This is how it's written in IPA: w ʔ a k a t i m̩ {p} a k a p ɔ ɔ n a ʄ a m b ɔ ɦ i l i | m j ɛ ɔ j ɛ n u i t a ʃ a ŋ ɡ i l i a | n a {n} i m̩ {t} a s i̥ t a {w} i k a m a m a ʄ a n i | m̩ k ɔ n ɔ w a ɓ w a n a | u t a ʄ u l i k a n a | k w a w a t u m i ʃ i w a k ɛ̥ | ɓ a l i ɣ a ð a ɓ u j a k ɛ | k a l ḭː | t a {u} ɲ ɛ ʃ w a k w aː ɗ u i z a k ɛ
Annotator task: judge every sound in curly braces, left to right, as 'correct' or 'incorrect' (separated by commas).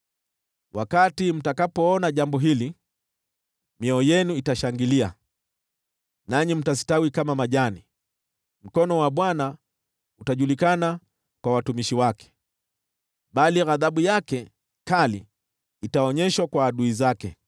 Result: incorrect, incorrect, correct, correct, incorrect